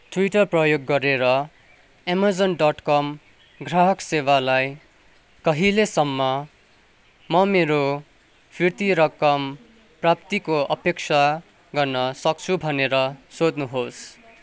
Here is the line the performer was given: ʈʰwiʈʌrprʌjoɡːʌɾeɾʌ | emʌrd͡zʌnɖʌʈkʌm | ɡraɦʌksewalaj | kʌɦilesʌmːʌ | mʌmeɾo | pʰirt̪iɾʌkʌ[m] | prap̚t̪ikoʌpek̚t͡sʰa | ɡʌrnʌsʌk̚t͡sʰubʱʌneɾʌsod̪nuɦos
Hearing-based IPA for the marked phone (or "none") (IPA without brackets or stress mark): m